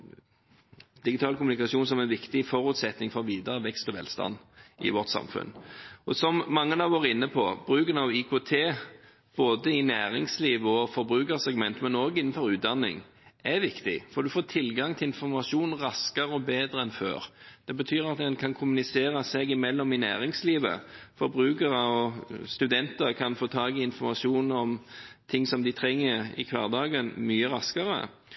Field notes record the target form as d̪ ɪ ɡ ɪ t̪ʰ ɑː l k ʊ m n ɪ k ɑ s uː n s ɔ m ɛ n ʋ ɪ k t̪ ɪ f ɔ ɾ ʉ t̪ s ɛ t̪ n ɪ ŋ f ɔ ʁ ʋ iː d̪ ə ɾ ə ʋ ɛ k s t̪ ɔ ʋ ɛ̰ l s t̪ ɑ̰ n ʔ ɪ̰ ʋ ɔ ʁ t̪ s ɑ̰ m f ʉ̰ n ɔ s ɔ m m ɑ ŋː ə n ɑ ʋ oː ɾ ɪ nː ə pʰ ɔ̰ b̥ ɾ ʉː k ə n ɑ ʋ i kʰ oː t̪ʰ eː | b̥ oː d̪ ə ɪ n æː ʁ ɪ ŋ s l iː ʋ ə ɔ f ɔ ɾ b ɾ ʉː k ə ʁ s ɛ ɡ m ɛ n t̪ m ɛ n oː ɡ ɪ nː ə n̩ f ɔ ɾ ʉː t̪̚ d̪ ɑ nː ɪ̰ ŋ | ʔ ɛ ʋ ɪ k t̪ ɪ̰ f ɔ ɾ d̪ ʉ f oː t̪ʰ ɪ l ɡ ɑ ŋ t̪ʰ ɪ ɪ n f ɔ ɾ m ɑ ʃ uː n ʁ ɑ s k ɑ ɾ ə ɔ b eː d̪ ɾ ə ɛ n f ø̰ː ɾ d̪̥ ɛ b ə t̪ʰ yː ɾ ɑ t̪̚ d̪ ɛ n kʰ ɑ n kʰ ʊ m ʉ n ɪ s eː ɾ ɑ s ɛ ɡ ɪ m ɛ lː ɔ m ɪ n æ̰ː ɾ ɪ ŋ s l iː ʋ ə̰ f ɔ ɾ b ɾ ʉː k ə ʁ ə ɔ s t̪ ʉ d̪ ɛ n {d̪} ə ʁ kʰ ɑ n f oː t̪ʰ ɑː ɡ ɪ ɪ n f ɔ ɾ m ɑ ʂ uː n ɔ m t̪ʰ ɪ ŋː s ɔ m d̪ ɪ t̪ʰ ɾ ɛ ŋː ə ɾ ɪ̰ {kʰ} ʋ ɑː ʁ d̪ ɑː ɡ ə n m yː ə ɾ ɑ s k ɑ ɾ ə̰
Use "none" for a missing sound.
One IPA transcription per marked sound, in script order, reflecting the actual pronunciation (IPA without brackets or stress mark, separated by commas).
t̪, kʰ